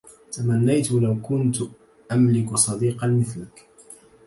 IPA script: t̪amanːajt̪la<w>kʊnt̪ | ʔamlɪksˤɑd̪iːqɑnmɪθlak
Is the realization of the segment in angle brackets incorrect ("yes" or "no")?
no